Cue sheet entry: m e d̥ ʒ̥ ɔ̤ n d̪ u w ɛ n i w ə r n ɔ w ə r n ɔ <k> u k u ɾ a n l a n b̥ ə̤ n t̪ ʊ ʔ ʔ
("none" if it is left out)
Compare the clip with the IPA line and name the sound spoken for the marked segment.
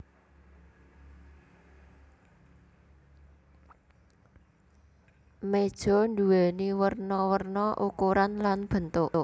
ʔ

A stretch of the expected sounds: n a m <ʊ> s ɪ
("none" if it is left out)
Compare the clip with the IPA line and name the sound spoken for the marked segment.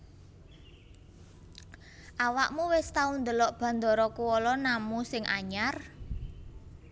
u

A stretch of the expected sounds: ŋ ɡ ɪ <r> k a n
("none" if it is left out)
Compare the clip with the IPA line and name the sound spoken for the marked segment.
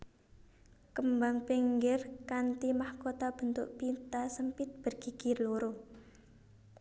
r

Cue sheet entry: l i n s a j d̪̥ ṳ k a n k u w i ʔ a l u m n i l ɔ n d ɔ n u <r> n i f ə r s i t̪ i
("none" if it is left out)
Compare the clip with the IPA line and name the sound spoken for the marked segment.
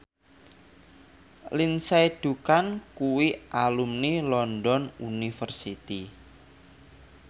none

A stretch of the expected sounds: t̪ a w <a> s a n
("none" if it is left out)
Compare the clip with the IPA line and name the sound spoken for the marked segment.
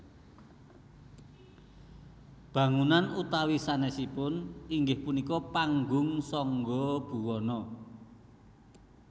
i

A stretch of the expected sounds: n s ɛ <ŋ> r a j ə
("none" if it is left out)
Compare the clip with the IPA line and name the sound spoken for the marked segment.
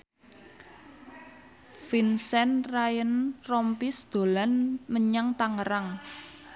n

